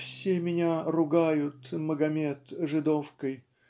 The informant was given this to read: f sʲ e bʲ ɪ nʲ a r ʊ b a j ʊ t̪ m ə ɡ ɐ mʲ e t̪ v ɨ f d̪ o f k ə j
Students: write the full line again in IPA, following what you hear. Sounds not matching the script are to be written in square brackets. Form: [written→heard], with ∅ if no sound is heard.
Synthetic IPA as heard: f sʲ e [bʲ→mʲ] ɪ nʲ a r ʊ [b→ɡ] a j ʊ t̪ m ə ɡ ɐ mʲ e t̪ [v→ʐ] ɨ [f→∅] d̪ o f k ə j